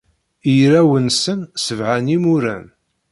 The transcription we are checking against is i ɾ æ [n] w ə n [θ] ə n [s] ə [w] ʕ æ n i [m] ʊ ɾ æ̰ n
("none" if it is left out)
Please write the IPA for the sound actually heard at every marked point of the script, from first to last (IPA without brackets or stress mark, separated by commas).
none, s, s, v, m